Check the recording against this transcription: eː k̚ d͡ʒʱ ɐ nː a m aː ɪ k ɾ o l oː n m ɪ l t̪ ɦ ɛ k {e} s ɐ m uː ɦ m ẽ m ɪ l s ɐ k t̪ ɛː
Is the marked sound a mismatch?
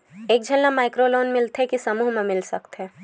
yes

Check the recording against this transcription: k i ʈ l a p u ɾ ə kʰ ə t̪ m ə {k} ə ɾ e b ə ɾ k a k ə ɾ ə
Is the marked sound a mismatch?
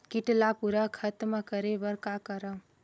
no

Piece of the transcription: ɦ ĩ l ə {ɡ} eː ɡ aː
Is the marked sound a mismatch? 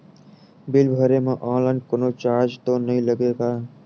no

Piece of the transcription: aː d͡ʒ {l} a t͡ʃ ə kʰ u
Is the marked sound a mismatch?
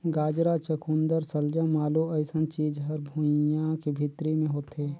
yes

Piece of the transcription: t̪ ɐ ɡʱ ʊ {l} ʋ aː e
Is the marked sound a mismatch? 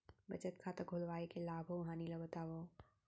no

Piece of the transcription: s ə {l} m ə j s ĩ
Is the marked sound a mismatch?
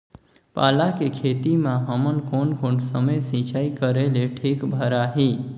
yes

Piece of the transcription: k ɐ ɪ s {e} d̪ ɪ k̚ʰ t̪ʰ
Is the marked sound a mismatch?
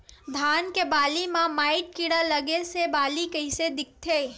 no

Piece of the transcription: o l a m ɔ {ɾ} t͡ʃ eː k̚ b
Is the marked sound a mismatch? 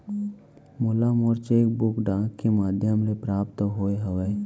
no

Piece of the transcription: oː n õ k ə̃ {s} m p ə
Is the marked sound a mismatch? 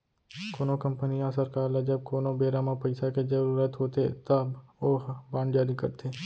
yes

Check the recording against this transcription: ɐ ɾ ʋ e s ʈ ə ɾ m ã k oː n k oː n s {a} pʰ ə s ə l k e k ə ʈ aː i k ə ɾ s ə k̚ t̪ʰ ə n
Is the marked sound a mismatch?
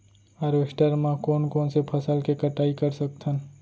yes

